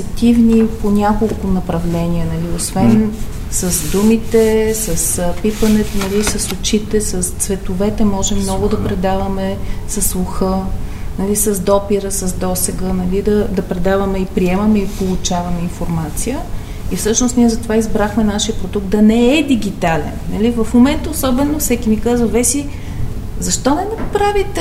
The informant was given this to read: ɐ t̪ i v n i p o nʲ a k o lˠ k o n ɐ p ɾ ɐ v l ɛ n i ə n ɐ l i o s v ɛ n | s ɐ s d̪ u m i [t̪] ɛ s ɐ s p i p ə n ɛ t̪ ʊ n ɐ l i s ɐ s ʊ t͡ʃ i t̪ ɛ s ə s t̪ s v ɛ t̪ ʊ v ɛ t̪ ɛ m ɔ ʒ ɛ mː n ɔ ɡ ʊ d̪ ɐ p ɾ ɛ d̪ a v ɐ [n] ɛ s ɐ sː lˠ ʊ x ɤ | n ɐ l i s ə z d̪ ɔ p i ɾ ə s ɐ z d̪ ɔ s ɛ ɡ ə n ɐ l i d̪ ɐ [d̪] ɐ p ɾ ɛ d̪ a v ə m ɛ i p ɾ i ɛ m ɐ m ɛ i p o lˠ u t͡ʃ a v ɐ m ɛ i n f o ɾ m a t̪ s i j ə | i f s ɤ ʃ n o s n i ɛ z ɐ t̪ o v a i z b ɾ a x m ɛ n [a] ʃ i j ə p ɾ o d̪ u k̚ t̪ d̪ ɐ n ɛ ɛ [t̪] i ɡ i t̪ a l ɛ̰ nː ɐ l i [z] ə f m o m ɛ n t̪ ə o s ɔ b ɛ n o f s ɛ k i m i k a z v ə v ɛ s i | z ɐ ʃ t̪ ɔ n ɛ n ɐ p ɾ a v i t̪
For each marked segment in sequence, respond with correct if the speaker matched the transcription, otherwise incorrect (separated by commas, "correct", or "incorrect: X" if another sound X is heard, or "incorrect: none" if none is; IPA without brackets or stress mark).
correct, incorrect: m, correct, correct, incorrect: d̪, incorrect: v